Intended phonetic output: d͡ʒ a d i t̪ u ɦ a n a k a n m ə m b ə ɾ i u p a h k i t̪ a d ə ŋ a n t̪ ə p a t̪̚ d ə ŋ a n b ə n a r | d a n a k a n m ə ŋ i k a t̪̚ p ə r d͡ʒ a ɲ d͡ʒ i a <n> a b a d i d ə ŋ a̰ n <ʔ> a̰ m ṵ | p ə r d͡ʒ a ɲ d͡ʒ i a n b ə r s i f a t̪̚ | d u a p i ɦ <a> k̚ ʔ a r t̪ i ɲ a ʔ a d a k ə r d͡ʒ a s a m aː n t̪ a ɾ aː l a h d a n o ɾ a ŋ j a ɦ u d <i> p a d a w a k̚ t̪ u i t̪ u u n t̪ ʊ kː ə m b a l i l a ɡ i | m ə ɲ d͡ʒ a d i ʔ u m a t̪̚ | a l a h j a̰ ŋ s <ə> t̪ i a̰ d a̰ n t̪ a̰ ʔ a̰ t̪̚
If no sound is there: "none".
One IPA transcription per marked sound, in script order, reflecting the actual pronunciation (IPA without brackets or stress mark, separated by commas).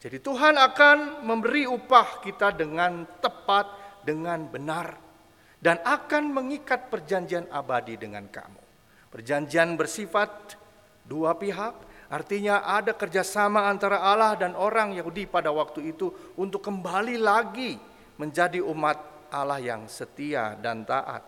n, k, a, i, ə